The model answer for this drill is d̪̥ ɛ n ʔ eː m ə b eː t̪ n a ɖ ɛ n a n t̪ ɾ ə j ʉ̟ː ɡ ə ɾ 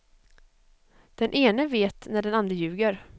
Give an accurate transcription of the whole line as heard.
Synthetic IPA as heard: d̪̥ ɛ n ʔ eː n ə v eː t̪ n æ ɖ ɛ n a n d̪ ɾ ə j ʉ̟ː ɡ ə ɾ

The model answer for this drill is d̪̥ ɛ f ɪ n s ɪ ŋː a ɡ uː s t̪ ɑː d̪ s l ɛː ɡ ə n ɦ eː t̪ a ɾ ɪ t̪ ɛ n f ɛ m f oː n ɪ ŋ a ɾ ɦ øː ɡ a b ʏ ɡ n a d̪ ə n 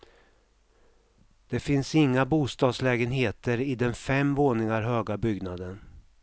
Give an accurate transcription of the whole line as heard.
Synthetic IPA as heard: d̪̥ ɛ f ɪ n s ɪ ŋː a b uː s t̪ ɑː d̪ s l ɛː ɡ ə n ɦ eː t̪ ə ɾ ɪ d̪ ɛ n f ɛ m v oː n ɪ ŋ a ɾ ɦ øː ɡ a b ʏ ɡ n a d̪ ə n

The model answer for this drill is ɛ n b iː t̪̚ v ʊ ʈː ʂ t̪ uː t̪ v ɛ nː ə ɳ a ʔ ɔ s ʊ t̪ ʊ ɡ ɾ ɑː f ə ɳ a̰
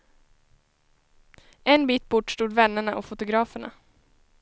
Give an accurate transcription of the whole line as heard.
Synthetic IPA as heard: ɛ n b iː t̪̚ b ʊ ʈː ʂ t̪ uː d̪ v ɛ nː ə ɳ a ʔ ɔ f ʊ t̪ ʊ ɡ ɾ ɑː f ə ɳ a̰

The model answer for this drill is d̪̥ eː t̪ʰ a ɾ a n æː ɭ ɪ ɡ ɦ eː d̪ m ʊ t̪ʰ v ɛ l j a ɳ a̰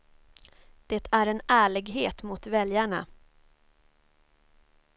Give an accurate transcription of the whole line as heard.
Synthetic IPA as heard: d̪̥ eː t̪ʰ æ ɾ ɛ n æː ɭ ɪ ɡ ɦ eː t̪ m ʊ t̪ v ɛ l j a ɳ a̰

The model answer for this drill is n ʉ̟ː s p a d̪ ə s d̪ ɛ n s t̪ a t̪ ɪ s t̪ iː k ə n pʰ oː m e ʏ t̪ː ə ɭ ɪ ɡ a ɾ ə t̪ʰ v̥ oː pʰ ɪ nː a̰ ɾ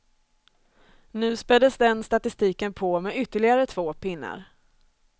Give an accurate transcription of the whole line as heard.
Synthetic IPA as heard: n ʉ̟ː s p ɛ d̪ ə s d̪ ɛ n s t̪ a t̪ ɪ s t̪ iː k ə n pʰ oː m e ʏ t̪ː ə ɭ ɪ ɡ a ɾ ə t̪ʰ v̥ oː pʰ ɪ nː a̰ ɾ

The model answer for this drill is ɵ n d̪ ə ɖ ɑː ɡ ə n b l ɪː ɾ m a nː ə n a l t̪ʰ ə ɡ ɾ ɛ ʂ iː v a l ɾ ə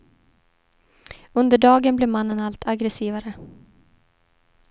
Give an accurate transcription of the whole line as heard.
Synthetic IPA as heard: ɵ n d̪ ə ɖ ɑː ɡ ə n b l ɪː ɾ m a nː ə n a l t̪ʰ a ɡ ɾ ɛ s iː v a ɾ ə

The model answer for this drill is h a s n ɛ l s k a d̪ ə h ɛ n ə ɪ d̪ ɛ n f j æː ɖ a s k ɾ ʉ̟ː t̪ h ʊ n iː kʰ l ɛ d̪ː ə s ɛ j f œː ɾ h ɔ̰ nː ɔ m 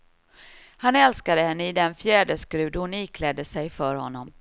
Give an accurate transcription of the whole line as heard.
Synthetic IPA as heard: h a n ɛ l s k a d̪ ə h ɛ nː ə ɪ d̪ ɛ n f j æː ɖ ə s k ɾ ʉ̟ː d̪ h ʊ n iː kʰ l ɛ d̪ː ə s ɛ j f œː ɾ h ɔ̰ nː ɔ m

